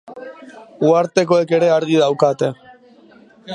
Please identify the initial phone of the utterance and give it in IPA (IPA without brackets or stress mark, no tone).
u